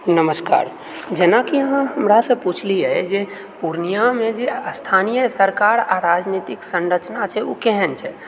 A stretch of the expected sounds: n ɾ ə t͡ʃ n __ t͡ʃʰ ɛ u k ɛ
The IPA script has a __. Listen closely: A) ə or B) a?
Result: B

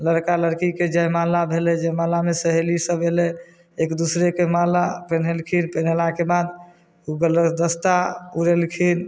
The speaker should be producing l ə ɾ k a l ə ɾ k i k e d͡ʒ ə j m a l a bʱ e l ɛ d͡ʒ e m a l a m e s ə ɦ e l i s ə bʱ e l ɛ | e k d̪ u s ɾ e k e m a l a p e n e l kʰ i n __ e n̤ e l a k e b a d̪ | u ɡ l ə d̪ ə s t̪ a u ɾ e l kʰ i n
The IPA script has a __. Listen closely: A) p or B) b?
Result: A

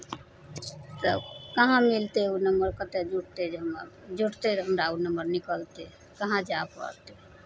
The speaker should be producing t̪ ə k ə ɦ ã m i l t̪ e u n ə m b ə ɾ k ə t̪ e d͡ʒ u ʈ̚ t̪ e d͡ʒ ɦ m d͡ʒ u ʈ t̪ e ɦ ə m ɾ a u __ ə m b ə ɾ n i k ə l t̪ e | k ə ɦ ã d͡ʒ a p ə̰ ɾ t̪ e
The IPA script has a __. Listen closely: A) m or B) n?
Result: B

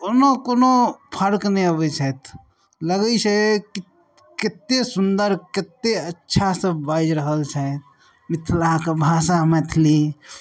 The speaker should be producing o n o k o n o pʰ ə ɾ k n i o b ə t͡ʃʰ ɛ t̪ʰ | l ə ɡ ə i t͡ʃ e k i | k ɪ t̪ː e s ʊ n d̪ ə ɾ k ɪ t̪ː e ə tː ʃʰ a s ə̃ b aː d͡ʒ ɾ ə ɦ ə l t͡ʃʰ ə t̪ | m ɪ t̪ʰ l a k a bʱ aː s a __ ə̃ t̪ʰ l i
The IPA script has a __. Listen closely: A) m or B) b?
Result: A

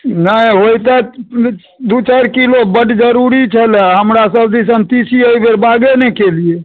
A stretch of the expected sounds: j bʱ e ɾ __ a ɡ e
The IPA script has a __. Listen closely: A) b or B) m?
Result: A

